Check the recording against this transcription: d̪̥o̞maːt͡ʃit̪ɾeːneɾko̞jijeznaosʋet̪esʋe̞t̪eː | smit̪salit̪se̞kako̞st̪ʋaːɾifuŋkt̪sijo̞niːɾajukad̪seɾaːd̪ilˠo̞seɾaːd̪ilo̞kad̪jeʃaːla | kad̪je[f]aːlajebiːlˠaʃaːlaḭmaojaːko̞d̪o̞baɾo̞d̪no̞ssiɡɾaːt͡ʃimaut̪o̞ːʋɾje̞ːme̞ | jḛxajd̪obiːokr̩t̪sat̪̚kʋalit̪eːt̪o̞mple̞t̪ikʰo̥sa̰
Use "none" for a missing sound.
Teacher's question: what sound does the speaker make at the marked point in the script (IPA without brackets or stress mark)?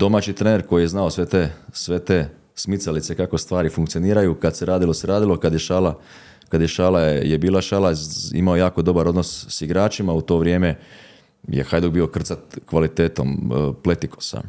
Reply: ʃ